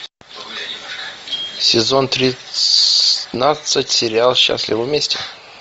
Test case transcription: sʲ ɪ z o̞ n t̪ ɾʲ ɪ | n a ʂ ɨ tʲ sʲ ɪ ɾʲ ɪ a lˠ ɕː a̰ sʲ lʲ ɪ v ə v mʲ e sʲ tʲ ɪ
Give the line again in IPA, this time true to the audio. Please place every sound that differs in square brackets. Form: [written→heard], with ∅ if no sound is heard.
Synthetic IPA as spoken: sʲ ɪ z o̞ n t̪ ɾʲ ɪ | n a [ʂ→s] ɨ tʲ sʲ ɪ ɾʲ ɪ a lˠ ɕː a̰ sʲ lʲ ɪ v ə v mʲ e sʲ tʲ ɪ